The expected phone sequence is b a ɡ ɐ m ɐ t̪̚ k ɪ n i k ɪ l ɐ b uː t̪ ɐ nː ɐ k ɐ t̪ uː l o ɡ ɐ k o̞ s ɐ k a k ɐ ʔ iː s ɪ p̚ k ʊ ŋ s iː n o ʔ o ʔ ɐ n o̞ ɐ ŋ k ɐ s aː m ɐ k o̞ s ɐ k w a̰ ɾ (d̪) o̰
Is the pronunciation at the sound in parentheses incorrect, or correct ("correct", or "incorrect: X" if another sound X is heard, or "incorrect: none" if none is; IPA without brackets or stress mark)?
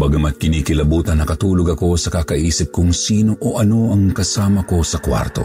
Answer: incorrect: t̪